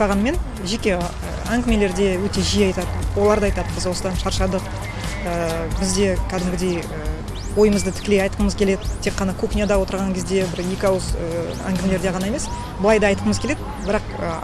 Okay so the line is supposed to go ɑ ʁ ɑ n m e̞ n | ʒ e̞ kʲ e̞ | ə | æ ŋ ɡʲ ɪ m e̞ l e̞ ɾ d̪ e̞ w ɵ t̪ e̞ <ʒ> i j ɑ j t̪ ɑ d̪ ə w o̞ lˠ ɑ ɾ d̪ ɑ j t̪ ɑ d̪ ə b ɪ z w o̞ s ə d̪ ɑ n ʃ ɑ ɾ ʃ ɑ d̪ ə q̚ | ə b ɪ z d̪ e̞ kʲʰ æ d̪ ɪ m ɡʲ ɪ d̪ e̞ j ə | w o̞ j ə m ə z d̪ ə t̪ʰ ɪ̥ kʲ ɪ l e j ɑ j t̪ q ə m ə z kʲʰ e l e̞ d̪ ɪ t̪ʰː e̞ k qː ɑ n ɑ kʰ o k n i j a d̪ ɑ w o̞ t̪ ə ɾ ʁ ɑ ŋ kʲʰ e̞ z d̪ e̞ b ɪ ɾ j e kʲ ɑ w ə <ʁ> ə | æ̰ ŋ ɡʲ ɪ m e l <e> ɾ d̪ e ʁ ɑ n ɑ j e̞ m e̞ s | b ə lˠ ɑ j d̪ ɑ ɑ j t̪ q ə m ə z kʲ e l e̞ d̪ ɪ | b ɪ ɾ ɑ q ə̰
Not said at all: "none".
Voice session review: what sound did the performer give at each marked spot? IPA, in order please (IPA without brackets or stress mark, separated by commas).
ʒ, z, e